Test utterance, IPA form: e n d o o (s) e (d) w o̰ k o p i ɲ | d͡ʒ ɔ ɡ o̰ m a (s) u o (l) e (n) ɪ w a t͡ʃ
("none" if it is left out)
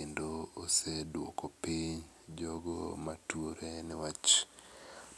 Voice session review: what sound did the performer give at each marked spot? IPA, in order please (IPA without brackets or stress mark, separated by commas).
s, d, t, ɾ, n